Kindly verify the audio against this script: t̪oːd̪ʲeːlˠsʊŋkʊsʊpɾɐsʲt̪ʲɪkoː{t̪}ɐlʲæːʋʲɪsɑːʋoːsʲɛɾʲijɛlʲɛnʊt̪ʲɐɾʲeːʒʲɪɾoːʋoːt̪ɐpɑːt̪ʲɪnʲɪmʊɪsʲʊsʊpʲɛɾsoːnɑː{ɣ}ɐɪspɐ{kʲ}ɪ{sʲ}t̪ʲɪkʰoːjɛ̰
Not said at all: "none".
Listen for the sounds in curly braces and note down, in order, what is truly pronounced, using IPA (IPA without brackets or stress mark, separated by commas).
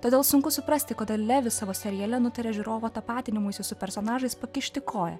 d̪, ʒ, kʲ, ʃʲ